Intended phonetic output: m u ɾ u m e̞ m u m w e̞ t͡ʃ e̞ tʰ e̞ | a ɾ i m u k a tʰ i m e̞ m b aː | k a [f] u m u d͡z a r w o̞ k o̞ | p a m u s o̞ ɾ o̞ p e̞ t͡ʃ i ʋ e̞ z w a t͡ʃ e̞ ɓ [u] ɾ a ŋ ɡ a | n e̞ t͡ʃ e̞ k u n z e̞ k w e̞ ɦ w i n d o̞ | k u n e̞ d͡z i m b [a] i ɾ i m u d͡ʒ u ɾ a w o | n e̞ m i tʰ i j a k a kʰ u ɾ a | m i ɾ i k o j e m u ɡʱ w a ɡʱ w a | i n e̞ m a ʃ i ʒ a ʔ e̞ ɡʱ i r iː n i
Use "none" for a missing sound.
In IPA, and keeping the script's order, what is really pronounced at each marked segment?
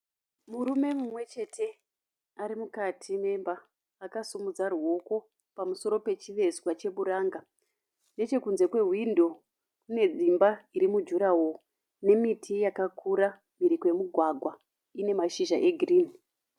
s, u, a

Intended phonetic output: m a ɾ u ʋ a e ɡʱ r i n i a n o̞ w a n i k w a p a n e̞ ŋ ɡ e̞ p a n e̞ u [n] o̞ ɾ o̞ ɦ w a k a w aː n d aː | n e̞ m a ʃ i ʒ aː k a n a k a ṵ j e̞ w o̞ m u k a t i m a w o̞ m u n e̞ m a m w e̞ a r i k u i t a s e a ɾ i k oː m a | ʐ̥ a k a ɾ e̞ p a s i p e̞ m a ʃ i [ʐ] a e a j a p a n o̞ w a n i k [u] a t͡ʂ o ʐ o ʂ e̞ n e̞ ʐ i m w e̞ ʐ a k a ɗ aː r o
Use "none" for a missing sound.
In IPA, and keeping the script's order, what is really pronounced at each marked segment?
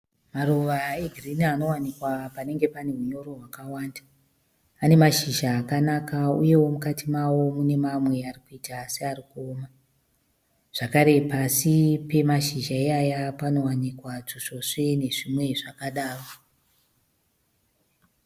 ɲ, ʒ, w

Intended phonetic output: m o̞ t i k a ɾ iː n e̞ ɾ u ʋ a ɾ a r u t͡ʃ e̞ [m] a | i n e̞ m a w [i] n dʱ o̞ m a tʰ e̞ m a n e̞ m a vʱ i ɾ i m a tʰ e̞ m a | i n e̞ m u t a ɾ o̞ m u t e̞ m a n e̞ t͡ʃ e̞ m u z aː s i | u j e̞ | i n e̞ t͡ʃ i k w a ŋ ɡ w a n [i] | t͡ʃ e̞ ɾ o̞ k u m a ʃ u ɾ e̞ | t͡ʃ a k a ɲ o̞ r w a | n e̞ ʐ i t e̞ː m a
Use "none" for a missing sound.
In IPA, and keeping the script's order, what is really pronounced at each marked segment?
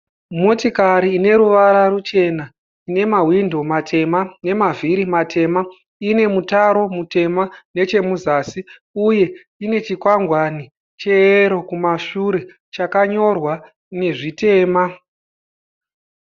n, i, i

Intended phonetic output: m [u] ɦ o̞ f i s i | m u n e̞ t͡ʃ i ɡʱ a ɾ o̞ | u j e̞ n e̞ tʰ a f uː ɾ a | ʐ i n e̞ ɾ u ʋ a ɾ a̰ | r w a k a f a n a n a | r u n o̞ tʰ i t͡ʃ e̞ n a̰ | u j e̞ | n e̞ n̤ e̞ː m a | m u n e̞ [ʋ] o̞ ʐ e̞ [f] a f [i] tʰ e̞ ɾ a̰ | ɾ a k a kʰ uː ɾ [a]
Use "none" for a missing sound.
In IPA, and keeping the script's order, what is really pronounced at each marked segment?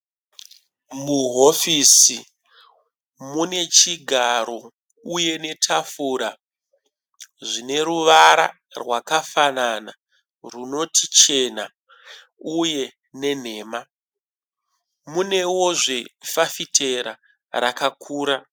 u, w, f, i, a

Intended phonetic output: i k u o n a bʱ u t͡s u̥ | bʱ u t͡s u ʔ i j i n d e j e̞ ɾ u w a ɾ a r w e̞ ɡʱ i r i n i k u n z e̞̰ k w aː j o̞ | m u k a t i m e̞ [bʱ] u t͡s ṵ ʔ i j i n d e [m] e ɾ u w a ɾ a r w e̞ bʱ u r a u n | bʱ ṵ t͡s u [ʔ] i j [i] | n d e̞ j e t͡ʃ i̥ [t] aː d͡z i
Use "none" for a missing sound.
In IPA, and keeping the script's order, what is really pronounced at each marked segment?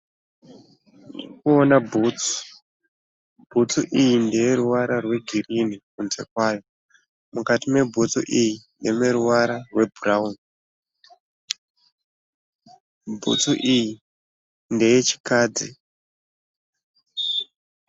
bʱ, m, ʔ, i, k

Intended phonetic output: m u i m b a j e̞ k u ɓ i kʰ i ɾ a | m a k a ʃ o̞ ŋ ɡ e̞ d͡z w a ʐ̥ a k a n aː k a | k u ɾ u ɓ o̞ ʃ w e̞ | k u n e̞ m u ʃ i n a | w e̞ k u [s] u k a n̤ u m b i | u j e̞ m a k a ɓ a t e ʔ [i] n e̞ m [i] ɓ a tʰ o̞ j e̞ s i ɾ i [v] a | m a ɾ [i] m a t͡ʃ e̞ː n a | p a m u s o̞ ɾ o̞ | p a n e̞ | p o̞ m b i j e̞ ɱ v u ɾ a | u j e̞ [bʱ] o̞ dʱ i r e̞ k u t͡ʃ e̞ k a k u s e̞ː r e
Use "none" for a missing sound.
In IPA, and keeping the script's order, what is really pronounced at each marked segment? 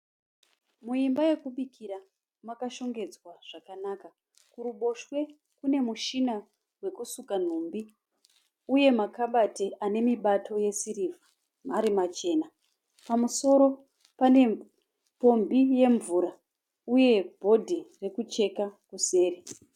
s, a, i, v, i, bʱ

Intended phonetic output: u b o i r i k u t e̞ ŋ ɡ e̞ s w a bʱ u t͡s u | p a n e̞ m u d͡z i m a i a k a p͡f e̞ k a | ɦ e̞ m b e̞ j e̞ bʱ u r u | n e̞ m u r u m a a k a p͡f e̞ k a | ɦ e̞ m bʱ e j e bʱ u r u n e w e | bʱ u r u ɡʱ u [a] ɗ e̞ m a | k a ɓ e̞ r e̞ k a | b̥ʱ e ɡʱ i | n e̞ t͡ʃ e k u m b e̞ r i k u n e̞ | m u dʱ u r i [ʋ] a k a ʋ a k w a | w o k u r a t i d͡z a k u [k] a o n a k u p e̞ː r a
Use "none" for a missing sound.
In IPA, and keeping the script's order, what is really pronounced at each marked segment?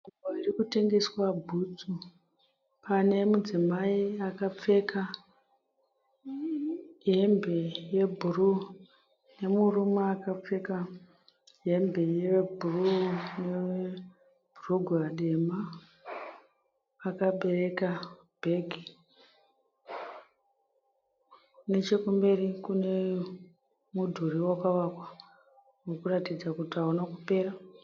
a, w, t

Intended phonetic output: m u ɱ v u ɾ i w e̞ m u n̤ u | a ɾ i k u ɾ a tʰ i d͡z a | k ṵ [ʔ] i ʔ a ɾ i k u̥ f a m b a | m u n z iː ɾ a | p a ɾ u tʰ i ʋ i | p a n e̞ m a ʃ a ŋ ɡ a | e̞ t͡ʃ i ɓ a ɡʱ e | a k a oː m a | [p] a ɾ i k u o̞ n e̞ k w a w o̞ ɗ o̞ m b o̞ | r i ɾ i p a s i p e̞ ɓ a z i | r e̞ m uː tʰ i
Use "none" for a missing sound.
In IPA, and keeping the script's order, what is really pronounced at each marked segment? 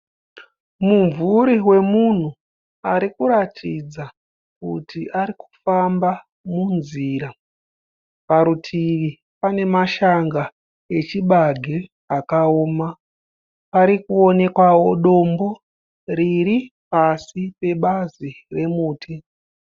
t, p

